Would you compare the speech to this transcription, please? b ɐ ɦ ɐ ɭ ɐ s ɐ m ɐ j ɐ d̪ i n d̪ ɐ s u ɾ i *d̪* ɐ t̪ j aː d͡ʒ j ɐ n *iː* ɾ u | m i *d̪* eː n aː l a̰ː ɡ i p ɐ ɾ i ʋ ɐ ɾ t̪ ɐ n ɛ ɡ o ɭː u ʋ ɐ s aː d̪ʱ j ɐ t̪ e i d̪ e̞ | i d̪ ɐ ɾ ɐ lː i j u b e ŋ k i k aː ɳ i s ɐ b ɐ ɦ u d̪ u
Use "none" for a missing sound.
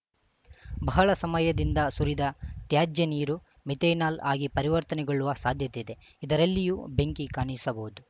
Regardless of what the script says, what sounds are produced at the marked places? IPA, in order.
d̪, iː, t̪

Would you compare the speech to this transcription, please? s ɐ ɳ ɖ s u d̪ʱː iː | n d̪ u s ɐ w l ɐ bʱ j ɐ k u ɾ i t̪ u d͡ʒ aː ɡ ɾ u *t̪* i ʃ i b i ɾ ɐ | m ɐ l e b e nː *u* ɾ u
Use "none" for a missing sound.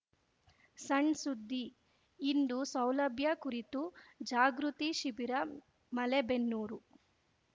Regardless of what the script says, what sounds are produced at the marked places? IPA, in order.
t̪, uː

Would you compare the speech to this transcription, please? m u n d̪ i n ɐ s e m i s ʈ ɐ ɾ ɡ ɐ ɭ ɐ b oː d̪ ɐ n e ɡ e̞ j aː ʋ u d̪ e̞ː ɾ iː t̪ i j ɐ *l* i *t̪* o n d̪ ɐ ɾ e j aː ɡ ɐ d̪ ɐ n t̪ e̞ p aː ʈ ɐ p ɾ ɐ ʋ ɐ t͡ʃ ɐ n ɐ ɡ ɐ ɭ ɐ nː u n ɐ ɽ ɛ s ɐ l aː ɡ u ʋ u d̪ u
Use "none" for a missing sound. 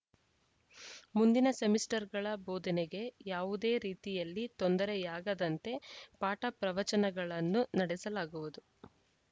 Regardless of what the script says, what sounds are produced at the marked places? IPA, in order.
lː, t̪

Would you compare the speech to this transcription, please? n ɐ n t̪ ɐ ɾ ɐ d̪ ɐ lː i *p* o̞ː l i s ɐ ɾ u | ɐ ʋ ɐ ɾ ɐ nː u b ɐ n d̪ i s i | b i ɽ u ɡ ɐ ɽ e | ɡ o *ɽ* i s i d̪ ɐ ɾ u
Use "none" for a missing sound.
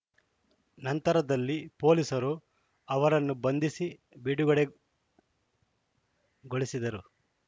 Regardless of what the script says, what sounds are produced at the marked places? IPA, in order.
p, ɭ

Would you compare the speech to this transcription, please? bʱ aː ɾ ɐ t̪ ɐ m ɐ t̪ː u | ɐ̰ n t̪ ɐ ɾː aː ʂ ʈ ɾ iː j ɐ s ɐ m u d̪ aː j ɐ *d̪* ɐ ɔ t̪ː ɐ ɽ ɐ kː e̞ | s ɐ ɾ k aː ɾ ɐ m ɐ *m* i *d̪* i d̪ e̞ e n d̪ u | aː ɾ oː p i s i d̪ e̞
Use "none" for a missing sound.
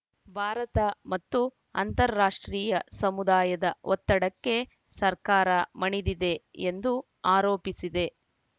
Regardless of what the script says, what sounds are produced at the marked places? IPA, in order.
d̪, ɳ, d̪

